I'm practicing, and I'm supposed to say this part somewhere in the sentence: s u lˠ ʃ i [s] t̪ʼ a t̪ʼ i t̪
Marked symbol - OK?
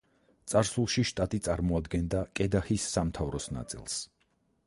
no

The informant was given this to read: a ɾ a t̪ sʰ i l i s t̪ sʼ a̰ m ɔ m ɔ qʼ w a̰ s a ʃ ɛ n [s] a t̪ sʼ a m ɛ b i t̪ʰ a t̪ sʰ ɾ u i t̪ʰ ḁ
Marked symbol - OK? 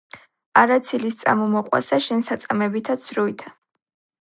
yes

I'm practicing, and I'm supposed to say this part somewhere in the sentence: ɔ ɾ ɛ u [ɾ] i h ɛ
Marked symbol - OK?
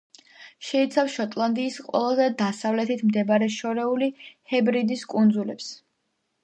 no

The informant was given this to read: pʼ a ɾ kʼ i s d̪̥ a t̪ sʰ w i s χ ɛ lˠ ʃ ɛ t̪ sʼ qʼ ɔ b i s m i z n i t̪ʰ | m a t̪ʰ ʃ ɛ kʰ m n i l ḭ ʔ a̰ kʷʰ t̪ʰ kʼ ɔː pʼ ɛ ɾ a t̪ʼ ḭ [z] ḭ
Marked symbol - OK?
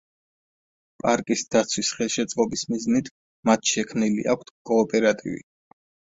no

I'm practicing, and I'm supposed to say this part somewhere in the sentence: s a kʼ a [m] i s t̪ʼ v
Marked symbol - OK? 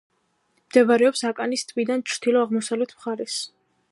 no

